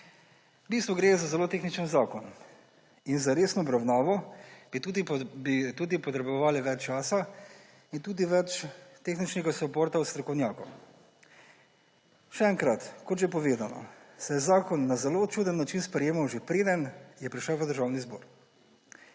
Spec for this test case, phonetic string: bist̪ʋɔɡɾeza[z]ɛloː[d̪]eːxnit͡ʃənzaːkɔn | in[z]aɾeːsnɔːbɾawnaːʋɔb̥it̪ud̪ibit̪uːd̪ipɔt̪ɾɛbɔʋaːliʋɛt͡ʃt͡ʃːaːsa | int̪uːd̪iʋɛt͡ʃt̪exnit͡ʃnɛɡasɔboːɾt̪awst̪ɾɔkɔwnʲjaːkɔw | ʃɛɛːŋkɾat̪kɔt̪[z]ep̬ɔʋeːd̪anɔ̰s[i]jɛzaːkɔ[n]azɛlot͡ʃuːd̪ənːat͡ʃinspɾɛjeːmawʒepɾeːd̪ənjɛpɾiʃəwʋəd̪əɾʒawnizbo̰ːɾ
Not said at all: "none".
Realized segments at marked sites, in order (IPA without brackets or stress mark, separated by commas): z, t̪, z, ʒ, ɛ, nː